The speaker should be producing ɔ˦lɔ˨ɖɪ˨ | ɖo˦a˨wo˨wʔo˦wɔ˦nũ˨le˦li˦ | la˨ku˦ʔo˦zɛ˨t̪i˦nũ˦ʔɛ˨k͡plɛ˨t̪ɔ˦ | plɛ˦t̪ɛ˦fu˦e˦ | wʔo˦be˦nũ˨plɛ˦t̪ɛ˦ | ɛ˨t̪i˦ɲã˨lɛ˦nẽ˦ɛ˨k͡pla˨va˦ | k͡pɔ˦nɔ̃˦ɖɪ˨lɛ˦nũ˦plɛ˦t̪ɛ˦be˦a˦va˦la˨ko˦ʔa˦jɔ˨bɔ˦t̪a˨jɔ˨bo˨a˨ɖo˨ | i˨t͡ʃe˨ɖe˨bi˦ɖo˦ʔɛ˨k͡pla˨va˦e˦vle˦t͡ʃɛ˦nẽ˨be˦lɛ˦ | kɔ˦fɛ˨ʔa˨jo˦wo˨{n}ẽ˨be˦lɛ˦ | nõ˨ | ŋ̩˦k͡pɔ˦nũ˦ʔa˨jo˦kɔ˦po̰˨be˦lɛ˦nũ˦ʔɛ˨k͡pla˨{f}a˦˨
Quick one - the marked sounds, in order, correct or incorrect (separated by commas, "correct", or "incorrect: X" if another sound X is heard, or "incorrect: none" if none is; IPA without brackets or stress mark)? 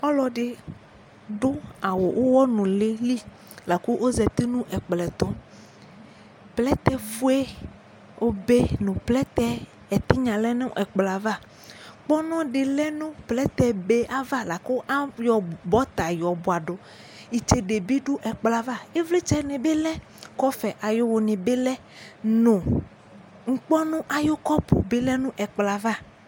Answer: correct, incorrect: v